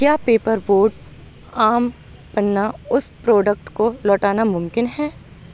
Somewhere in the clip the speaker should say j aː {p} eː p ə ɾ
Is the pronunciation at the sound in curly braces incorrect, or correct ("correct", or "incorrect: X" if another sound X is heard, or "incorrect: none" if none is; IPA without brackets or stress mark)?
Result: correct